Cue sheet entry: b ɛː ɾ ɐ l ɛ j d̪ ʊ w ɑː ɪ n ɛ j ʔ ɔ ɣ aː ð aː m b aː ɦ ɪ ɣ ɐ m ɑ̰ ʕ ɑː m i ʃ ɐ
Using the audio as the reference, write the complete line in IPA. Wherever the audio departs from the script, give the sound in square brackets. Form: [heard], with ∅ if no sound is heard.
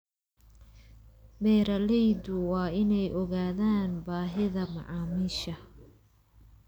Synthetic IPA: b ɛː ɾ ɐ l ɛ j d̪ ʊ w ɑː ɪ n ɛ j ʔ ɔ ɣ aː ð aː [n] b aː ɦ ɪ [ð] ɐ m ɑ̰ ʕ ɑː m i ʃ ɐ